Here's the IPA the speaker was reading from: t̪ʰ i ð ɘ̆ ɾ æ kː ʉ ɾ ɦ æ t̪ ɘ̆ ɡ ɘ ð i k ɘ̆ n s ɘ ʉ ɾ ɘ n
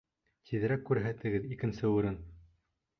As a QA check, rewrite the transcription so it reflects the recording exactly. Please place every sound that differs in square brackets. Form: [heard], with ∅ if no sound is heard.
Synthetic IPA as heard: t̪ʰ i ð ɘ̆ ɾ æ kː ʉ ɾ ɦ æ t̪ ɘ̆ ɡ ɘ ð i k ɘ̆ n s ɘ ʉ ɾ ɘ n